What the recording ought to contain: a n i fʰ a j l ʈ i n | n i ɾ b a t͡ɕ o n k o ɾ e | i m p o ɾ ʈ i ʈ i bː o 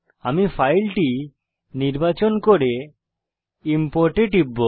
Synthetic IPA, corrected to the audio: a m i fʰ a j l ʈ i | n i ɾ b a t͡ɕ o n k o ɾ e | i m p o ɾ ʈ e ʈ i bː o